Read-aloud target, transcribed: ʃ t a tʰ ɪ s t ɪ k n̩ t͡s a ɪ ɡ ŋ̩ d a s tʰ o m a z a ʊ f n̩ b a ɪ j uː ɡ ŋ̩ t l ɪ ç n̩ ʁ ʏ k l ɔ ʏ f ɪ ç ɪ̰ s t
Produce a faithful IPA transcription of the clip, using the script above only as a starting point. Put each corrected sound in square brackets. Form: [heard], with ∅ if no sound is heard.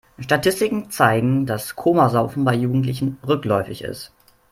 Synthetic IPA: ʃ t a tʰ ɪ s t ɪ k [ŋ̩] t͡s a ɪ ɡ ŋ̩ d a s [kʰ] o m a z a ʊ f n̩ b a ɪ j uː ɡ ŋ̩ t l ɪ ç n̩ ʁ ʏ k l ɔ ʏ f ɪ ç ɪ̰ s t